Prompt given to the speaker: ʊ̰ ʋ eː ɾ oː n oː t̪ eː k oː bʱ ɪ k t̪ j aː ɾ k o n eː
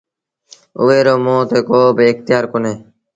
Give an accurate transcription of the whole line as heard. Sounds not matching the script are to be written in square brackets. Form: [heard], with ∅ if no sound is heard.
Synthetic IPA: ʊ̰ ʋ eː ɾ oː [m] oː t̪ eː k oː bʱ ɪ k t̪ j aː ɾ k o n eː